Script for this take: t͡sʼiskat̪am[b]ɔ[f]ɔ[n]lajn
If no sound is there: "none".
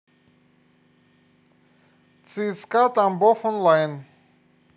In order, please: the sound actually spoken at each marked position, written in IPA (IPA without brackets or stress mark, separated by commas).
b, f, n